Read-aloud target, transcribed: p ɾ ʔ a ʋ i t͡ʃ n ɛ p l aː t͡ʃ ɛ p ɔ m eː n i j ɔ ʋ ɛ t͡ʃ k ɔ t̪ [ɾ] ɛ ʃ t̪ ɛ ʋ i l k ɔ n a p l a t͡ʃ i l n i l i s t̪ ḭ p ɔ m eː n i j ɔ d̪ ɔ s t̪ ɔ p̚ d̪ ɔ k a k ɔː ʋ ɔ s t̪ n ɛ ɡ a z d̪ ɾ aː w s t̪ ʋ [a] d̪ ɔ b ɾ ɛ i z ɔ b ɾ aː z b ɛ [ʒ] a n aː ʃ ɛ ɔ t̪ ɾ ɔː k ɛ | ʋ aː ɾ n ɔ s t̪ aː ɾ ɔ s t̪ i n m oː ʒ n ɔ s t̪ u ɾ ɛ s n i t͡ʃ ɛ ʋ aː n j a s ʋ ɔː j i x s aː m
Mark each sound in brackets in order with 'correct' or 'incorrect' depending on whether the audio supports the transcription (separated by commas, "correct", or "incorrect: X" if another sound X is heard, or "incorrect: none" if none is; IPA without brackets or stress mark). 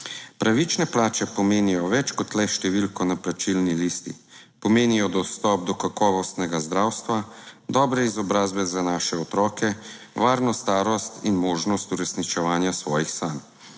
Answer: incorrect: l, correct, incorrect: z